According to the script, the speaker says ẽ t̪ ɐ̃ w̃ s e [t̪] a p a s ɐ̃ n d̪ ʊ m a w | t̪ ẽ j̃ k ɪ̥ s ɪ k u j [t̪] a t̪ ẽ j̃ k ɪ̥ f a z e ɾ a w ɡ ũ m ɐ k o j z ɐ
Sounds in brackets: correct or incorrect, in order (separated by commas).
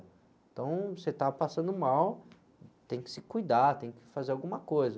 correct, incorrect